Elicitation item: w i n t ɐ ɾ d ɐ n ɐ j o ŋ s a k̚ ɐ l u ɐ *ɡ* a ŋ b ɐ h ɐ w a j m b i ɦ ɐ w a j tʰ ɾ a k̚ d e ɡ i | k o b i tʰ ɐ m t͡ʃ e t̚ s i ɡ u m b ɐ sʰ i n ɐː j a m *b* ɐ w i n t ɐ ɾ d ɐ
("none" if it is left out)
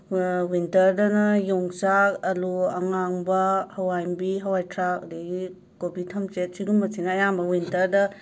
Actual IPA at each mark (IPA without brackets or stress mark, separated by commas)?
ŋ, b